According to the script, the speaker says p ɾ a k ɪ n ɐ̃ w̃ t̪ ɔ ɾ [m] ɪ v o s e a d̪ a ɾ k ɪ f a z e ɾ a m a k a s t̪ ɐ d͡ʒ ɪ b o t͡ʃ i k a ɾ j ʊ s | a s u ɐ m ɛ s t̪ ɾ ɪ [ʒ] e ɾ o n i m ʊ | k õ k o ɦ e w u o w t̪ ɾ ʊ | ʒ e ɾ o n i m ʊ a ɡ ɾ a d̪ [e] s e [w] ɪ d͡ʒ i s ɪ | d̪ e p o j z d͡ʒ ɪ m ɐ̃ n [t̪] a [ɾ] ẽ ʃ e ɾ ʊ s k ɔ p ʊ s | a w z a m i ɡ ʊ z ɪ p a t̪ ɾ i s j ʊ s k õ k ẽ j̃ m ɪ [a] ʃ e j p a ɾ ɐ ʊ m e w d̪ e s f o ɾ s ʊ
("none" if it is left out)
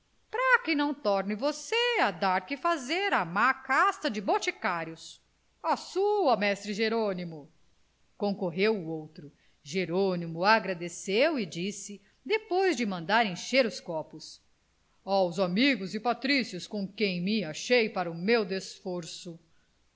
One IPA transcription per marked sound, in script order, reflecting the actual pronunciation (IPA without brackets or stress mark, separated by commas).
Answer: n, ʒ, e, w, d̪, ɾ, a